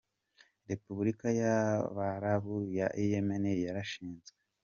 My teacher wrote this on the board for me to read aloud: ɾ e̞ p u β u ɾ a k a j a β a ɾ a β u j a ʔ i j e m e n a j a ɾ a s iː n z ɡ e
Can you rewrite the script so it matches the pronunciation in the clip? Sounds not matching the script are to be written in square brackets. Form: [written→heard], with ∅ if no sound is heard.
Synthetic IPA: ɾ e̞ p u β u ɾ [a→i] k a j a β a ɾ a β u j a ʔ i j e m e n [a→e] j a ɾ a [s→ʃ] iː n z ɡ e

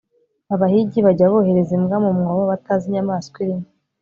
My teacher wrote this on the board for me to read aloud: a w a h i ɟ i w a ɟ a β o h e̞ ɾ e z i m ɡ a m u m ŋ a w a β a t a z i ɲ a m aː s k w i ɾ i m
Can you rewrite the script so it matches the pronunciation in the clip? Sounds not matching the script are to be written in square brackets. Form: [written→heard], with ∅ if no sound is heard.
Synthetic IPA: a [w→β] a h i ɟ i [w→β] a ɟ a β o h e̞ ɾ e z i m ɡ a m u m ŋ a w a β a t a z i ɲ a m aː s k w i ɾ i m

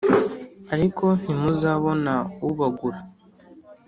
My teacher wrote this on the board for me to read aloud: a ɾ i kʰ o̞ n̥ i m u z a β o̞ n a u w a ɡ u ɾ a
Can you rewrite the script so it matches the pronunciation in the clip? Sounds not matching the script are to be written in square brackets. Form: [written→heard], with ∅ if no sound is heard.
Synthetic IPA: a ɾ i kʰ o̞ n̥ i m u z a β o̞ n a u [w→β] a ɡ u ɾ a

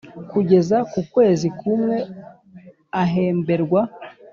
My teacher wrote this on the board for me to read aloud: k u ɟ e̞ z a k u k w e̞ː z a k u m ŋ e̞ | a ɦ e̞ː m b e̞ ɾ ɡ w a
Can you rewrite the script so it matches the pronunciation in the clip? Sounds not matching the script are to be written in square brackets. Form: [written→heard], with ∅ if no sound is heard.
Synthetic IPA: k u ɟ e̞ z a k u k w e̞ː z [a→i] k u m ŋ e̞ | a ɦ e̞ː m b e̞ ɾ ɡ w a

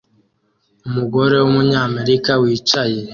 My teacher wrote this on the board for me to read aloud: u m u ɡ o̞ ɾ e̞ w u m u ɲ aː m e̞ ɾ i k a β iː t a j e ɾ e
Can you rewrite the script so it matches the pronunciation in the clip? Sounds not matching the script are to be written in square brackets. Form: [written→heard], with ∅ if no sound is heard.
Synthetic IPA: u m u ɡ o̞ ɾ e̞ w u m u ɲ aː m e̞ ɾ i k a [β→w] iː [t→t͡ʃ] a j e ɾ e

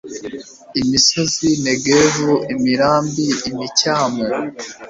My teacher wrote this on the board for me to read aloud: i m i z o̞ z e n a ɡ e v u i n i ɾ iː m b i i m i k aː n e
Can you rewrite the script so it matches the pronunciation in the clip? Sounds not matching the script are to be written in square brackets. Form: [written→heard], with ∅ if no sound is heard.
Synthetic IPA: i m i [z→s] o̞ z [e→i] n [a→e] ɡ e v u i [n→m] i ɾ [iː→aː] m b i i m i [k→c] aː [n→m] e

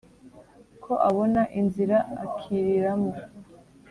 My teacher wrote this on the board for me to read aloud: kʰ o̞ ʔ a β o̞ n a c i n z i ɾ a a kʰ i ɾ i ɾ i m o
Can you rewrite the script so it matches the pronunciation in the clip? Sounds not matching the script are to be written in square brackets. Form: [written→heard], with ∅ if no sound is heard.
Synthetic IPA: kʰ o̞ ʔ a β o̞ n a [c→ʔ] i n z i ɾ a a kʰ i ɾ i ɾ [i→a] m o

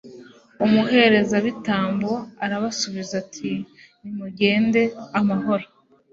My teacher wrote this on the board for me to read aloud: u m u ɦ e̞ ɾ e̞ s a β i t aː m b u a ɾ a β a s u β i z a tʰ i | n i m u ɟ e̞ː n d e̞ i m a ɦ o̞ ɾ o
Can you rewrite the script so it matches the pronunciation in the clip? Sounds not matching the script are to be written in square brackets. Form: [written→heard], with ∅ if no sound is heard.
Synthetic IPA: u m u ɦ e̞ ɾ e̞ [s→z] a β i t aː m b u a ɾ a β a s u β i z a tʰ i | n i m u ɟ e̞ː n d e̞ [i→a] m a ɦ o̞ ɾ o

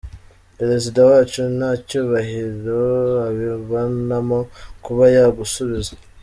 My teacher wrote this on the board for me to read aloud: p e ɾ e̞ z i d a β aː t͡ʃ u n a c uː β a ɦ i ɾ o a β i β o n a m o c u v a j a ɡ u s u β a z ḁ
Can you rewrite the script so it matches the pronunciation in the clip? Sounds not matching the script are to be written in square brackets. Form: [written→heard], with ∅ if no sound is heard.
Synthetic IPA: p e ɾ e̞ z i d a [β→w] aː t͡ʃ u n a c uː β a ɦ i ɾ o a β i β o n a m o [c→k] u [v→β] a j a ɡ u s u β [a→i] z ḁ

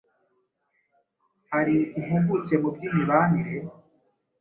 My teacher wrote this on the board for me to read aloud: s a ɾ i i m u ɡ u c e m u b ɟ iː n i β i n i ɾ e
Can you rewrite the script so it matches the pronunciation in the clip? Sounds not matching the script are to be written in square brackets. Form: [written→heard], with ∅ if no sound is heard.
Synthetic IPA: [s→h] a ɾ i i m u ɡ u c e m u b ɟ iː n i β [i→a] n i ɾ e

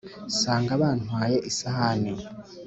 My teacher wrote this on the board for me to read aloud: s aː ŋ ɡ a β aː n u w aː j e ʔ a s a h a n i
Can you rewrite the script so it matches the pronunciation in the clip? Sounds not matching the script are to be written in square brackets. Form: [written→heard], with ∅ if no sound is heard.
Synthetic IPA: s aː ŋ ɡ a β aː n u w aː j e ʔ [a→i] s a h a n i

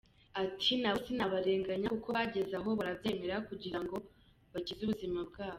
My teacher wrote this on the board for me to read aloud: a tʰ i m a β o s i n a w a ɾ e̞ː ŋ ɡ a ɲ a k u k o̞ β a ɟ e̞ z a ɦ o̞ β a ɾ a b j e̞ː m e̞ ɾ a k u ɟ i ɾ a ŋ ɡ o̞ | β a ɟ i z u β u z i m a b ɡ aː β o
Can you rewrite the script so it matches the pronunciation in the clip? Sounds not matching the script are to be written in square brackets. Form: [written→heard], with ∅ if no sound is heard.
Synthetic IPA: a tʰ i [m→n] a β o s i n a [w→β] a ɾ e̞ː ŋ ɡ a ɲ a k u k o̞ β a ɟ e̞ z a ɦ o̞ β a ɾ a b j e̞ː m e̞ ɾ a k u ɟ i ɾ a ŋ ɡ o̞ | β a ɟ i z u β u z i m a b ɡ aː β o

